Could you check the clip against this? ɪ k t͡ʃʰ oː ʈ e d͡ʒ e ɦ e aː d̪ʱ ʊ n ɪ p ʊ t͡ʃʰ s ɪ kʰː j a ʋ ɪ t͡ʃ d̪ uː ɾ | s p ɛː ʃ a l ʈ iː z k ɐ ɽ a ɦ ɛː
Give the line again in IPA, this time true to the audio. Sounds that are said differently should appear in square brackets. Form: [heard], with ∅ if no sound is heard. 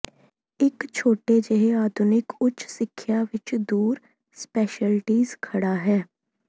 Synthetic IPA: ɪ k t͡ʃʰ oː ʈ e d͡ʒ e ɦ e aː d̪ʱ ʊ n ɪ [k] ʊ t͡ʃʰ s ɪ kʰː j a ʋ ɪ t͡ʃ d̪ uː ɾ | s p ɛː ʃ [ə] l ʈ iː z [kʰ] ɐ ɽ a ɦ ɛː